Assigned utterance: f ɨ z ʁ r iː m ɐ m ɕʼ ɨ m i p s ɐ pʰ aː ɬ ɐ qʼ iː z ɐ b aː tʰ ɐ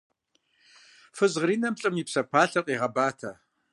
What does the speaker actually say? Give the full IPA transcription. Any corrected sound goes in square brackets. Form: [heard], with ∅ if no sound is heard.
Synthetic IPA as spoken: f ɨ z ʁ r iː [n] ɐ m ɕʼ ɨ m i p s ɐ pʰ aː ɬ ɐ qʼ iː [ʁ] ɐ b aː tʰ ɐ